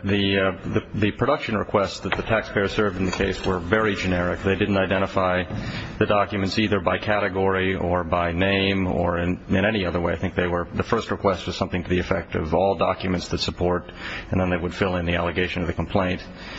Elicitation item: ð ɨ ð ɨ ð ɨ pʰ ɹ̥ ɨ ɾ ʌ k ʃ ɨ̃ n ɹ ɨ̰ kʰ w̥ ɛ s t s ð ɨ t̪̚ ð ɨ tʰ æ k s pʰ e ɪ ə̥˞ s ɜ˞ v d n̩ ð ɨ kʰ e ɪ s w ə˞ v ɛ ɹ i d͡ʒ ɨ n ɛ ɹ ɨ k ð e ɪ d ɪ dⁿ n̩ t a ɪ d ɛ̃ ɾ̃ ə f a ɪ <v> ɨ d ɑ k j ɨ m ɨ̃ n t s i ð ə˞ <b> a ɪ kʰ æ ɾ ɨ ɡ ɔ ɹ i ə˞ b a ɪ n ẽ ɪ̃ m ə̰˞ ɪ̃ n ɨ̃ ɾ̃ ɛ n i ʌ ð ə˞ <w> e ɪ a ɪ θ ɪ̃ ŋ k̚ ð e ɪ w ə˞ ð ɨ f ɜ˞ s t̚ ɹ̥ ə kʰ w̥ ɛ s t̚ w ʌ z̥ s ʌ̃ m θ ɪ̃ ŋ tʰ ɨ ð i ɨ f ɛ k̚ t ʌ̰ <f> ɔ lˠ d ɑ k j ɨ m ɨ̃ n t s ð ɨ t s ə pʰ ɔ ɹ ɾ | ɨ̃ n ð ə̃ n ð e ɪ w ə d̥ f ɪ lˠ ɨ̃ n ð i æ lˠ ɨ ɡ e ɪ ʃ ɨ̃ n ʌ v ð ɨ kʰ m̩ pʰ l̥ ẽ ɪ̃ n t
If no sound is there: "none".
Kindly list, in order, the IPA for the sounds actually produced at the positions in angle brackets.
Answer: ð, b, w, v

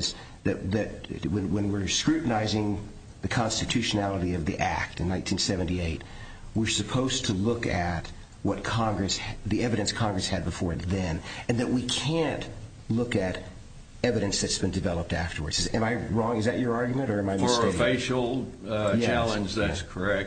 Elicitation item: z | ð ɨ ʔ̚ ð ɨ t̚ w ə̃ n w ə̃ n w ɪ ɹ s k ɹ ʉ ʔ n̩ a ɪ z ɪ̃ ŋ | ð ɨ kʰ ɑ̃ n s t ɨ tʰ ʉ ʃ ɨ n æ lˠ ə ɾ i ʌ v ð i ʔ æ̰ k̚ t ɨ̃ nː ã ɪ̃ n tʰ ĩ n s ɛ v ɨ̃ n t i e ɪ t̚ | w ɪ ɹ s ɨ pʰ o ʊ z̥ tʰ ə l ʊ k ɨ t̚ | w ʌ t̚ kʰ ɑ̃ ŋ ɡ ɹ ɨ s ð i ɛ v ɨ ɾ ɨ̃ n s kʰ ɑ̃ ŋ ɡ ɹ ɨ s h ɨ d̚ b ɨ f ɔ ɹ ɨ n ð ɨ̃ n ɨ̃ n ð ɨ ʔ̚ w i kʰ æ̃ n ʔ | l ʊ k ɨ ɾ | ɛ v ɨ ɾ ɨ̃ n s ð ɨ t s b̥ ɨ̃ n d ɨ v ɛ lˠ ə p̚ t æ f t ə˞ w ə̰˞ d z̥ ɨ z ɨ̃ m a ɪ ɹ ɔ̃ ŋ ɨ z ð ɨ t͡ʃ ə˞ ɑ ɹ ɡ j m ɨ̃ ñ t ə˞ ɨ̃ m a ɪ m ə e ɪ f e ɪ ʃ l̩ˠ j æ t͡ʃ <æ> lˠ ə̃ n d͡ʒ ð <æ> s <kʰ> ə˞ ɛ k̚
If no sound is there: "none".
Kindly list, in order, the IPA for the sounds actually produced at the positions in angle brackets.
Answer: æ, æ, kʰ

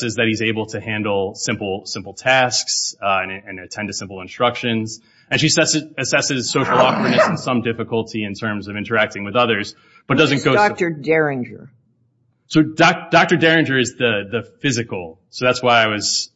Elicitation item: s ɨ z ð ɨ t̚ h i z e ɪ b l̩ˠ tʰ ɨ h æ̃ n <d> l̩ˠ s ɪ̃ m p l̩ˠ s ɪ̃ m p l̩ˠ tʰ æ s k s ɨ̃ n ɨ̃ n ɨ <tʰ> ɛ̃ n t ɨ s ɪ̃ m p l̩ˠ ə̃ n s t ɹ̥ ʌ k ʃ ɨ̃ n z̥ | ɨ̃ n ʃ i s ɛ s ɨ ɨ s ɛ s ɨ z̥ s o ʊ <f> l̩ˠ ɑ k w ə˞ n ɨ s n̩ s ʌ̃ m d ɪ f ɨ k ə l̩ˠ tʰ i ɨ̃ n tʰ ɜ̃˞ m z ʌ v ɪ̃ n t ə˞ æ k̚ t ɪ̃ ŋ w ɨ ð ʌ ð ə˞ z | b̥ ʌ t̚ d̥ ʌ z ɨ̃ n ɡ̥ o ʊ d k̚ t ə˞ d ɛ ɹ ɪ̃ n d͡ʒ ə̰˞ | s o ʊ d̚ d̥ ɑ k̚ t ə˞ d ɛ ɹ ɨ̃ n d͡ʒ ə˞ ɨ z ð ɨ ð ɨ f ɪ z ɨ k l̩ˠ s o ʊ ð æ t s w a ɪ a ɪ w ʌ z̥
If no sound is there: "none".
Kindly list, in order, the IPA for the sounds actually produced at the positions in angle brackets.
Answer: d, tʰ, ʃ

